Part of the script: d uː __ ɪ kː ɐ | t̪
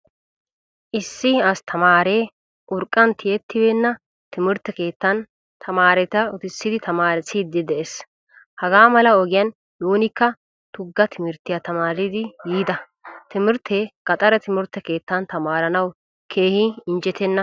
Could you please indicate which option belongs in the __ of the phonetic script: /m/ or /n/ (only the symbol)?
n